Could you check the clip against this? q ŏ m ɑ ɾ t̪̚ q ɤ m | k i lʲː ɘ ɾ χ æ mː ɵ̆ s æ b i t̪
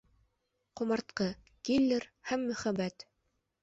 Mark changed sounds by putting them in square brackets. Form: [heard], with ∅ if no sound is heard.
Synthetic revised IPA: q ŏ m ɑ ɾ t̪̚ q ɤ [∅] | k i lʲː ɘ ɾ [h] æ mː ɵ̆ [χ] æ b [æ] t̪